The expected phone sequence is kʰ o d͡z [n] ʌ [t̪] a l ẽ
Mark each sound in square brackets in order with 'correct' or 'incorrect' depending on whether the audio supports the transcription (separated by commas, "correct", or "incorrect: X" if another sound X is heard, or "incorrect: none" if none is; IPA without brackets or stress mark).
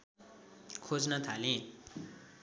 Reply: correct, incorrect: t̪ʰ